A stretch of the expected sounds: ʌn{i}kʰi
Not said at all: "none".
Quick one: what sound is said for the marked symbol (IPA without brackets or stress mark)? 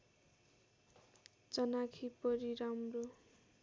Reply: a